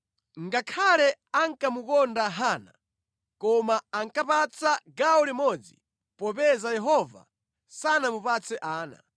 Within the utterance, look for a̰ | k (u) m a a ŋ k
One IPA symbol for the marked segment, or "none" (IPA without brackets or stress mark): ɔ